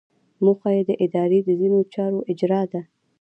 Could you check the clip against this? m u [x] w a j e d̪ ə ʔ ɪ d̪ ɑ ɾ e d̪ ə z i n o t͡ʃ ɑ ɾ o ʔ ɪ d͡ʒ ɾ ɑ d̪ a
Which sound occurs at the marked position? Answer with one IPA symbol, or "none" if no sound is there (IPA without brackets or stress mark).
x